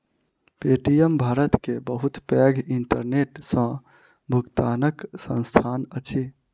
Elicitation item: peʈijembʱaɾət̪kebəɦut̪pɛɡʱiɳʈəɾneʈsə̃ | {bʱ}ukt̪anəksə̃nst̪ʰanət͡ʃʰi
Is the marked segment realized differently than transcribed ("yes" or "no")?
no